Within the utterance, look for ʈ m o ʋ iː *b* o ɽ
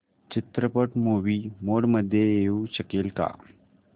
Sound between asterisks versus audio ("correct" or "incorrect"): incorrect